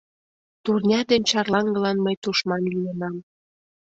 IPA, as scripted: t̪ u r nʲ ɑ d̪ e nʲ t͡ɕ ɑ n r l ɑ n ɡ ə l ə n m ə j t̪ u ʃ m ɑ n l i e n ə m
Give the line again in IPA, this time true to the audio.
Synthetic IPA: t̪ u r nʲ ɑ d̪ e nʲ t͡ɕ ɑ r l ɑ ŋ ɡ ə l ɑ n m ə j t̪ u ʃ m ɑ n l i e n ɑ m